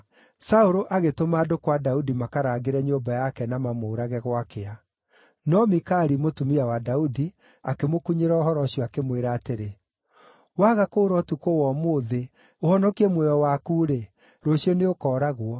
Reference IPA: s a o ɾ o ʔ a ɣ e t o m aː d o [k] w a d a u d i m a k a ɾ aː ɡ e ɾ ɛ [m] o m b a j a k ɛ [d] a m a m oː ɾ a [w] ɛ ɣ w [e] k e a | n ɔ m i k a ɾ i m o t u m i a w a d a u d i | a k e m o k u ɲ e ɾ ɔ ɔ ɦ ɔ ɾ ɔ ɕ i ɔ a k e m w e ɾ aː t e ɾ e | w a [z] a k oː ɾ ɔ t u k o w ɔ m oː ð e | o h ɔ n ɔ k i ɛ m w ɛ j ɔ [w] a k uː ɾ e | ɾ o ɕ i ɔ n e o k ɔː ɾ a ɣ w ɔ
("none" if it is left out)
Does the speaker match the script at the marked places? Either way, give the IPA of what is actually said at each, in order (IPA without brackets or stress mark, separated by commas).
k, ɲ, n, ɣ, a, ɣ, w